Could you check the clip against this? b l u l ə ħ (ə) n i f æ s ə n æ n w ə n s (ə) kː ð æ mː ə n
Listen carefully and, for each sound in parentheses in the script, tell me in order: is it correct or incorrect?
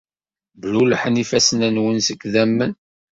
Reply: correct, correct

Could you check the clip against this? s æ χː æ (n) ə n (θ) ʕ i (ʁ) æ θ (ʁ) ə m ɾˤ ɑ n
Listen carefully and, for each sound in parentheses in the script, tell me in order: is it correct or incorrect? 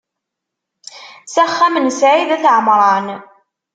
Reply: incorrect: m, incorrect: s, incorrect: ð, incorrect: ʕ

